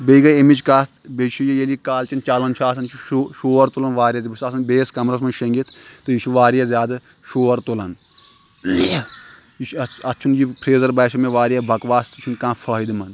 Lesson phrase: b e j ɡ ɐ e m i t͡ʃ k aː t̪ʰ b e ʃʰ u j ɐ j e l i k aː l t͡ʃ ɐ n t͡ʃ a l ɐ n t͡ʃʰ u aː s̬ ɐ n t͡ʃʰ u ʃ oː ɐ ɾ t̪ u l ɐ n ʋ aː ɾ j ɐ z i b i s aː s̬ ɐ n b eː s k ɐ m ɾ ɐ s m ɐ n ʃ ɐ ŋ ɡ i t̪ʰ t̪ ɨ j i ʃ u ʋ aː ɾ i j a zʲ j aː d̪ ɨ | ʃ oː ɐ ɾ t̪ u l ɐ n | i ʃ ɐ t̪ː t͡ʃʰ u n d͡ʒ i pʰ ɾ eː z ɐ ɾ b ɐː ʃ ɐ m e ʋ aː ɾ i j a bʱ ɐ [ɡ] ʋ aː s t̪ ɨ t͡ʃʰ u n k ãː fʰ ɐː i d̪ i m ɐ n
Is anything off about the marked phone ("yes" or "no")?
yes